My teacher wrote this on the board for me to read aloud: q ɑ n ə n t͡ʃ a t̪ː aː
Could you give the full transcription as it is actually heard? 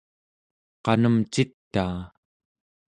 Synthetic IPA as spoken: q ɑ n ə m t͡ʃ i t̪ː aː